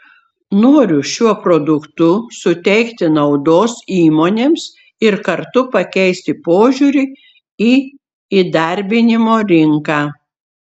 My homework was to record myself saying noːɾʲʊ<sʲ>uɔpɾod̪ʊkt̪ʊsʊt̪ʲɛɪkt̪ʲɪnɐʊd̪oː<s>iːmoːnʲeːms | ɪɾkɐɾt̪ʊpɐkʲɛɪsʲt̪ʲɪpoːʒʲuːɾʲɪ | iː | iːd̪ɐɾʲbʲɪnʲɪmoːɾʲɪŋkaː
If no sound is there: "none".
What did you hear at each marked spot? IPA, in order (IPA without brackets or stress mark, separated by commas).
ʃʲ, s